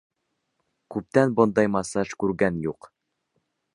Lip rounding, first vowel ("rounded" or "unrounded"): rounded